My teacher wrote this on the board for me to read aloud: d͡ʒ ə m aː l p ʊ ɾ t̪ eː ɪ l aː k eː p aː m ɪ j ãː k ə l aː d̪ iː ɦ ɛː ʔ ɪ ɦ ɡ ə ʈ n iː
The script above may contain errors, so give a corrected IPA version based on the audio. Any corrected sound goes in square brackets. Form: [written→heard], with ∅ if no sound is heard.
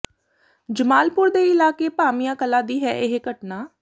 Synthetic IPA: d͡ʒ ə m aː l p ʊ ɾ [t̪→d̪] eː ɪ l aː k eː p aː m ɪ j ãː k ə l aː d̪ iː ɦ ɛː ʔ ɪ ɦ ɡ ə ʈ n [iː→aː]

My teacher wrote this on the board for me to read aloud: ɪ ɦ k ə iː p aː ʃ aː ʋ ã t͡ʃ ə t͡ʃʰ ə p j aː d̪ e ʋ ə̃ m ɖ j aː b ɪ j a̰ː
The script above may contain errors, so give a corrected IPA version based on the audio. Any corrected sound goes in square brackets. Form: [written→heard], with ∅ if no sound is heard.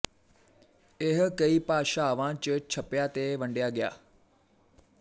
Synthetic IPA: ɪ ɦ k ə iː p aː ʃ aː ʋ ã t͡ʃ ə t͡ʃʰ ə p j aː [d̪→t̪] e ʋ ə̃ [m→ɳ] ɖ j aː [b→ɡ] ɪ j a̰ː

